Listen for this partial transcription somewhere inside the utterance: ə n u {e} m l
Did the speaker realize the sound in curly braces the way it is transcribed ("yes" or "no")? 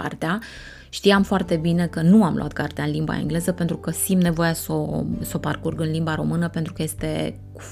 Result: no